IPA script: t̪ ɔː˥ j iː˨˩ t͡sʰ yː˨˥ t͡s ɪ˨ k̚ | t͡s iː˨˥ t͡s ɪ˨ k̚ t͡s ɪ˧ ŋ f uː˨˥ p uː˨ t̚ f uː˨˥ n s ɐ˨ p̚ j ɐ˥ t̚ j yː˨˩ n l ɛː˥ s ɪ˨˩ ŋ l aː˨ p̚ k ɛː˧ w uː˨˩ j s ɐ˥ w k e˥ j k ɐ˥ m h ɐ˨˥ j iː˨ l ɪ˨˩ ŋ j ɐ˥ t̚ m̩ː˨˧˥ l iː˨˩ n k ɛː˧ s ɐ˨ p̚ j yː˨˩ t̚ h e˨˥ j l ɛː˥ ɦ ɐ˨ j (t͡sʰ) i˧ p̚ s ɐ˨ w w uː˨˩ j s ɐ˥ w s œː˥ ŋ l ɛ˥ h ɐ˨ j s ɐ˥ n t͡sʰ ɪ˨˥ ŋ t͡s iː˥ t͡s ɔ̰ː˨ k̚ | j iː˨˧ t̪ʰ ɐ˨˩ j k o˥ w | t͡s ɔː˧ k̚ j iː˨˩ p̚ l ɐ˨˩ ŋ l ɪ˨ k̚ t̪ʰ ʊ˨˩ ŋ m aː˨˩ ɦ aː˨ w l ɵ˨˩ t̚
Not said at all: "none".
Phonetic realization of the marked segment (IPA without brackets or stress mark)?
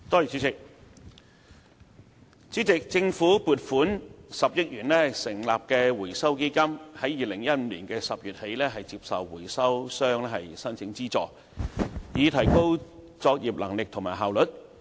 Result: t͡s